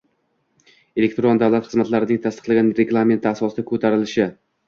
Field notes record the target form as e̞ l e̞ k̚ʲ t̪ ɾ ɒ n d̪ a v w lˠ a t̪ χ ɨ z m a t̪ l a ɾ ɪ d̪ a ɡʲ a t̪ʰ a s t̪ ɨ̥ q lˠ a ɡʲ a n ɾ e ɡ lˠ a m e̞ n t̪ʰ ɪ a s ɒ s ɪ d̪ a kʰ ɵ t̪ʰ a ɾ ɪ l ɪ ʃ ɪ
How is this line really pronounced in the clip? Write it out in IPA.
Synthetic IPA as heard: e̞ l e̞ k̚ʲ t̪ ɾ o n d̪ a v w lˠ a t̪ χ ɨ z m a t̪ l a ɾ ɪ d̪ a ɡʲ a t̪ʰ a s t̪ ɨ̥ q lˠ a ɡʲ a n ɾ e ɡ lˠ a m e̞ n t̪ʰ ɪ a s ɒ s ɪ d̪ a kʰ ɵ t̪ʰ a ɾ ɪ l ɪ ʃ ɪ